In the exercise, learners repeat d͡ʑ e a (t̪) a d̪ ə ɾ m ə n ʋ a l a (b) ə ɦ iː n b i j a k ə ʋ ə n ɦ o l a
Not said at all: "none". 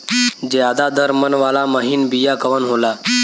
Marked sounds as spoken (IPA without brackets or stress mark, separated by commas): d̪, m